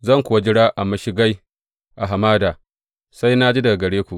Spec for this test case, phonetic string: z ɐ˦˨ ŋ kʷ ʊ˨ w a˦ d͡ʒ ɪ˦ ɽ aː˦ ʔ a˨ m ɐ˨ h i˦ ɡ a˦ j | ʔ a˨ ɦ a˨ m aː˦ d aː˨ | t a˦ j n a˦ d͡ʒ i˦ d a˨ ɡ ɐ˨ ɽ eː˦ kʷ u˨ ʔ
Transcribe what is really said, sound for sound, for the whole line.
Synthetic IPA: z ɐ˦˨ ŋ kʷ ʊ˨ w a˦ d͡ʒ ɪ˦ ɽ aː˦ ʔ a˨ m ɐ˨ ʃ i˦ ɡ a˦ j | ʔ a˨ ɦ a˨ m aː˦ d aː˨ | s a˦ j n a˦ d͡ʒ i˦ d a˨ ɡ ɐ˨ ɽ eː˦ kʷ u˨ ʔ